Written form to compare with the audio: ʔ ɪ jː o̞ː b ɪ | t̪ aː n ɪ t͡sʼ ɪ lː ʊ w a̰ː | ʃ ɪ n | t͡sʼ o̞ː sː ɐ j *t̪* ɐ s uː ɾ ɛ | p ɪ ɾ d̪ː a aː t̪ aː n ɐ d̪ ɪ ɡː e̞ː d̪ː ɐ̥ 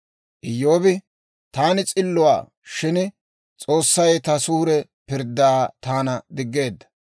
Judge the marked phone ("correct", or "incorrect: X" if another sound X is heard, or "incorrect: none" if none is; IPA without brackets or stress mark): correct